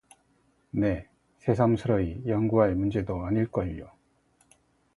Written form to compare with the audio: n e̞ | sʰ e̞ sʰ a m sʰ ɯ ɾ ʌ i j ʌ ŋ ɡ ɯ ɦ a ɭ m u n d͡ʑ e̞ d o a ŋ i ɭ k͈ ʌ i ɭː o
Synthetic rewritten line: n e̞ | sʰ e̞ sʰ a m sʰ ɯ ɾ ʌ i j ʌ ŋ ɡ u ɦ a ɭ m u n d͡ʑ e̞ d o a ɲ i ɭ k͈ ʌ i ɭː o